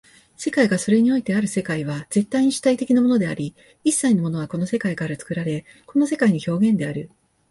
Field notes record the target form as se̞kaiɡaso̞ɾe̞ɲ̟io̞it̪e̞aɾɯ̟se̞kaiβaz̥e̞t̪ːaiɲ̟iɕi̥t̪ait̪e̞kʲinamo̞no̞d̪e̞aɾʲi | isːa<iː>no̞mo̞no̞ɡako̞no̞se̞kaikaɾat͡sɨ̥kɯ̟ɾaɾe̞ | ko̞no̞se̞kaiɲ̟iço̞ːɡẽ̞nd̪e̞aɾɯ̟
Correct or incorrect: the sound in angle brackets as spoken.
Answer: incorrect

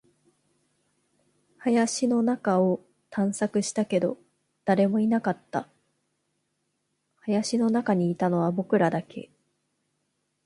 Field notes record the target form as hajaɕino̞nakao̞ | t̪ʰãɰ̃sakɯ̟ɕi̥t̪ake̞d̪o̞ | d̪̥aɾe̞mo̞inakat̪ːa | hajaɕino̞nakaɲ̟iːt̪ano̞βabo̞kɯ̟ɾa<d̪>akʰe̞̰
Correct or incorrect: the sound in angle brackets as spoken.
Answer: correct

